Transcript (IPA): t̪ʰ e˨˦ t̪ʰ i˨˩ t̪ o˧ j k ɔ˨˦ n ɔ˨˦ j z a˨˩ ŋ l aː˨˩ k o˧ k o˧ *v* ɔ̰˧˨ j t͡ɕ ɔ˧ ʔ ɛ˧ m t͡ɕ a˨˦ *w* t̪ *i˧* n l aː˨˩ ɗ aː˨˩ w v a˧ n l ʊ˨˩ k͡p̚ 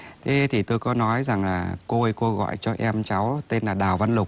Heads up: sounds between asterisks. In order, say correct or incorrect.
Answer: incorrect: ɣ, correct, incorrect: e˧

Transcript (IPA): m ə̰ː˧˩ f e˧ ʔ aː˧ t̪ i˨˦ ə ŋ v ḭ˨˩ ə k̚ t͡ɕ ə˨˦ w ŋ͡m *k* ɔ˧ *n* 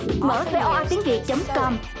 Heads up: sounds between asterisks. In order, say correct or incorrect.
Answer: correct, incorrect: m

